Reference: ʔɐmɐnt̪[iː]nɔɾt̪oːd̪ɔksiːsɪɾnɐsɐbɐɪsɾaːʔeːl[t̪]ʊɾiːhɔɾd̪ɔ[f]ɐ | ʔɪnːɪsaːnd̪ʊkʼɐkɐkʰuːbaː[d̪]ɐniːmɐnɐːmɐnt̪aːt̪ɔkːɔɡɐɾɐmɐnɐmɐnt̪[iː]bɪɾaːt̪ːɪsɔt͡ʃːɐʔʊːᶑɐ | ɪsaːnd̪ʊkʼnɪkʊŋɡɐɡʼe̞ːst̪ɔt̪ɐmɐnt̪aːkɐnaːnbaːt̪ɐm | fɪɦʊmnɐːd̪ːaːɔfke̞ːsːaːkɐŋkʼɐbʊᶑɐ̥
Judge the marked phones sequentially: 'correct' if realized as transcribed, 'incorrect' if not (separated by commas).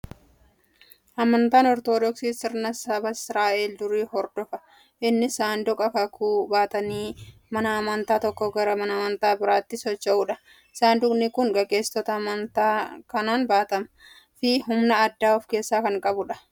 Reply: incorrect, incorrect, correct, incorrect, incorrect